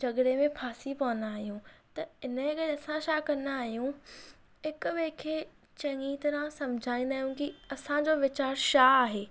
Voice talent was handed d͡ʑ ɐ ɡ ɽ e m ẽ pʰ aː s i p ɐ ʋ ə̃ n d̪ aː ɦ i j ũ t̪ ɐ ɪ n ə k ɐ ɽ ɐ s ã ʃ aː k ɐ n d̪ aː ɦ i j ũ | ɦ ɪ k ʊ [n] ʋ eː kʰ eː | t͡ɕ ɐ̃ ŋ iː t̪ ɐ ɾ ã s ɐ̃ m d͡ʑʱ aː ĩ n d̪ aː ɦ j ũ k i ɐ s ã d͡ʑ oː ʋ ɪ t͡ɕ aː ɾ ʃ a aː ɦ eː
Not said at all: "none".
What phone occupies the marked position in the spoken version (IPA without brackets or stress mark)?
none